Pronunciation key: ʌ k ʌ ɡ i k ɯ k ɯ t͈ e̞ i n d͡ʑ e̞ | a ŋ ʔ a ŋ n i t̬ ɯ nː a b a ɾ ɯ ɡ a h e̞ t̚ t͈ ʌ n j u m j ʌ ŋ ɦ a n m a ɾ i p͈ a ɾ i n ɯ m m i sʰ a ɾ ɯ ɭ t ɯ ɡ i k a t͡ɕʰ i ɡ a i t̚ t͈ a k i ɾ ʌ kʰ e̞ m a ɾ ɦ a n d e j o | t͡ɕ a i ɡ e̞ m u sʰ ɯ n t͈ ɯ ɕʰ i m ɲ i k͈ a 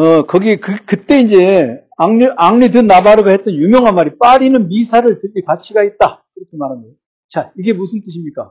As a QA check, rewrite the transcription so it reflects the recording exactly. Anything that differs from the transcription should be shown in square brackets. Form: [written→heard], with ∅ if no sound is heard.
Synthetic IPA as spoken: ʌ k ʌ ɡ i k ɯ k ɯ t͈ e̞ i n d͡ʑ e̞ | a ŋ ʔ a ŋ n i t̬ ɯ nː a b a ɾ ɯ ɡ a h e̞ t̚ t͈ ʌ n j u m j ʌ ŋ ɦ a n m a ɾ i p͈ a ɾ i n ɯ [m→n] m i sʰ a ɾ ɯ ɭ t ɯ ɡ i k a t͡ɕʰ i ɡ a i t̚ t͈ a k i ɾ ʌ kʰ e̞ m a ɾ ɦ a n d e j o | t͡ɕ a i ɡ e̞ m u sʰ ɯ n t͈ ɯ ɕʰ i m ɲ i k͈ a